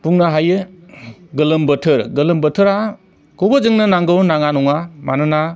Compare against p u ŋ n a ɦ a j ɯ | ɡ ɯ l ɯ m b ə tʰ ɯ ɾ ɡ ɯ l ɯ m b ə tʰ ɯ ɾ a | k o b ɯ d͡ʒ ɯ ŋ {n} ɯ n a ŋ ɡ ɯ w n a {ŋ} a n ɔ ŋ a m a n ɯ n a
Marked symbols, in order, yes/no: yes, yes

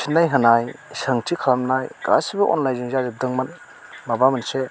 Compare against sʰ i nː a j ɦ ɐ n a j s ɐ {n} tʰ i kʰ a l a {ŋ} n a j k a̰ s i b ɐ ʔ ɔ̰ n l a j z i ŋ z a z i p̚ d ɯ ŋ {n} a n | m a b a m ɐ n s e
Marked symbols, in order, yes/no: no, no, no

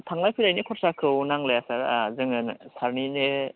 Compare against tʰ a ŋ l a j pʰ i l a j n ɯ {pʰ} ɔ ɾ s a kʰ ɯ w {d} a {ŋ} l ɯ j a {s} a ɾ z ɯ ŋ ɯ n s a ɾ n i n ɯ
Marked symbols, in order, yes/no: no, no, yes, yes

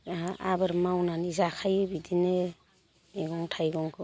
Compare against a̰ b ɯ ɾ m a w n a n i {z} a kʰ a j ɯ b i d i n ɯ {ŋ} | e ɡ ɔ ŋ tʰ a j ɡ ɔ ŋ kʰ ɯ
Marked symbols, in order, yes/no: yes, no

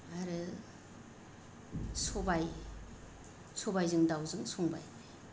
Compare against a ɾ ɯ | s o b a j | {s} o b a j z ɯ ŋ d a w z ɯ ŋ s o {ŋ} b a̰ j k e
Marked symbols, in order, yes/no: yes, yes

